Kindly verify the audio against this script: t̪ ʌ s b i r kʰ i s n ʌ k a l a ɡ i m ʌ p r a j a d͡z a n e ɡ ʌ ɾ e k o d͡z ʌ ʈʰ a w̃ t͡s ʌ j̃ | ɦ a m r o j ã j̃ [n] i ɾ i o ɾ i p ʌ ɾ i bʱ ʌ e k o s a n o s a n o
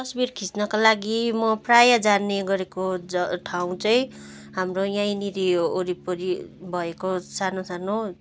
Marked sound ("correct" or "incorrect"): correct